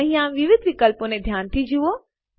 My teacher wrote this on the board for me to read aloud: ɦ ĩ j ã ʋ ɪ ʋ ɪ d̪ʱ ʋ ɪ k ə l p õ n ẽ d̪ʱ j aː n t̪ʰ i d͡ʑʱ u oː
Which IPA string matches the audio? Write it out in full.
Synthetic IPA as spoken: ɦ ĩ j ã ʋ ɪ ʋ ɪ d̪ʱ ʋ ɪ k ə l p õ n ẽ d̪ʱ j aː n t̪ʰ i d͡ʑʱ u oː